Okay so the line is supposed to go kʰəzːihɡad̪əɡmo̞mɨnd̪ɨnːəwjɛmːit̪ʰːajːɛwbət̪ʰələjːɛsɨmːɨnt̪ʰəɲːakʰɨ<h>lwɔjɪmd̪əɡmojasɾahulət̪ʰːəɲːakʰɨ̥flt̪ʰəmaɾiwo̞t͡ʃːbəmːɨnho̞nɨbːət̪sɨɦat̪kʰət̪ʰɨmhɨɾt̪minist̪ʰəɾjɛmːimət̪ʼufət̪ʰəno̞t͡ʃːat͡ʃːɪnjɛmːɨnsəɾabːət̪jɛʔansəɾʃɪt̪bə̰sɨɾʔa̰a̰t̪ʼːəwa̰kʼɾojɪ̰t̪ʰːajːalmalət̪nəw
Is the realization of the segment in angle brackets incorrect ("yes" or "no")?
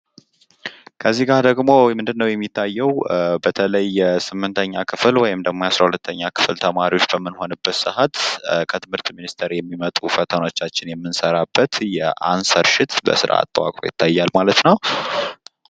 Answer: yes